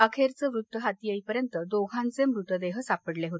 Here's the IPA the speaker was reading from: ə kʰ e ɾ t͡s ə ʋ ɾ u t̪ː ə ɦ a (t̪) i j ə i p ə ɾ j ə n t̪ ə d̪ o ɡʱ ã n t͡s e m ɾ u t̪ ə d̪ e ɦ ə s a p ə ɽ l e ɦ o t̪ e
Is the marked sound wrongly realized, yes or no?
no